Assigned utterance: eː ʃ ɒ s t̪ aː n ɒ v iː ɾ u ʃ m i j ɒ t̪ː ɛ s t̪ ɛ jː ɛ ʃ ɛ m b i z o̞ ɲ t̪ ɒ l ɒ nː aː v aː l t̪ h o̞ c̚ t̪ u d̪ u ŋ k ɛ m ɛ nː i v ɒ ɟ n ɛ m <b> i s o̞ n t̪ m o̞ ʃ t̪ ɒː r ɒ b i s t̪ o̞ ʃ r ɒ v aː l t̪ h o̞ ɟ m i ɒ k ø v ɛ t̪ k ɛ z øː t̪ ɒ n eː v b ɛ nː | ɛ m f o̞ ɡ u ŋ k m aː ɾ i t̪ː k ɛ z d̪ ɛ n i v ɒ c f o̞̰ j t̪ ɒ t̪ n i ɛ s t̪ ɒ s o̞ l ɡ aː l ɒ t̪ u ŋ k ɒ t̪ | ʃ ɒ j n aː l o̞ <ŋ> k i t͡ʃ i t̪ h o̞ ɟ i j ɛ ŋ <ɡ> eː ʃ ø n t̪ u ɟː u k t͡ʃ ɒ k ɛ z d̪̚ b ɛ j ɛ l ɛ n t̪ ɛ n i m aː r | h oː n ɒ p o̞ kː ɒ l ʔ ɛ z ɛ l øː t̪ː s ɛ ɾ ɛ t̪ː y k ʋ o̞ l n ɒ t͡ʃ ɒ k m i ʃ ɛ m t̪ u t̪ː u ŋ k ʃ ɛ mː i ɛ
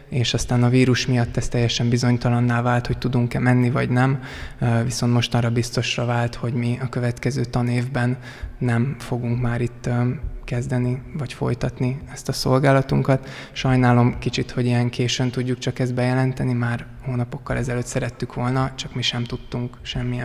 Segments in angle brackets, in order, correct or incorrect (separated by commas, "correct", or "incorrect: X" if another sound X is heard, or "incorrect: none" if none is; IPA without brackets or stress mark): incorrect: v, incorrect: m, incorrect: k